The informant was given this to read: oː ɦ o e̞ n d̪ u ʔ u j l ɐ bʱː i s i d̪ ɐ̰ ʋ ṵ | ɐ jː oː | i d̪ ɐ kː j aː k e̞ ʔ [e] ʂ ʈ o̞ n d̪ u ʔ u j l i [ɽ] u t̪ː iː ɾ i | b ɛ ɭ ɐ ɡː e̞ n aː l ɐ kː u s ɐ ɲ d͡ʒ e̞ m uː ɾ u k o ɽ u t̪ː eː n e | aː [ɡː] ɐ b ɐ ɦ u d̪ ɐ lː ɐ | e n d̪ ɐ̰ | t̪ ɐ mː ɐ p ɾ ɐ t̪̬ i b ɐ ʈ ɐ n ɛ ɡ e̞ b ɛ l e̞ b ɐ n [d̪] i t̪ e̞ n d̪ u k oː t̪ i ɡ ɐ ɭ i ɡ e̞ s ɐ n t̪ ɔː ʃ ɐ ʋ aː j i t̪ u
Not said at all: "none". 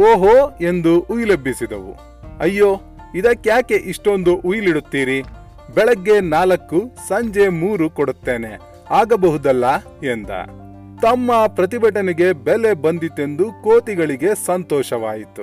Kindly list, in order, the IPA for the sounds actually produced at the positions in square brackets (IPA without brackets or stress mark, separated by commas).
i, ɽ, ɡ, d̪